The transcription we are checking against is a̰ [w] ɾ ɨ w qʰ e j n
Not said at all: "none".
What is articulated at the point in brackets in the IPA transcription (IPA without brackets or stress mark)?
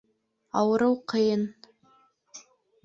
w